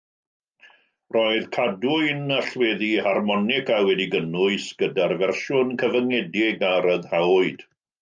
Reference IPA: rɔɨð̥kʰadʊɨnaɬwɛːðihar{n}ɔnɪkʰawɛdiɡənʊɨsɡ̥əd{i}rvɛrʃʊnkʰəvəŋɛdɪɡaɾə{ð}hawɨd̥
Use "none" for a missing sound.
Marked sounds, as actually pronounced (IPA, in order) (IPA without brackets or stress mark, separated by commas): m, a, ð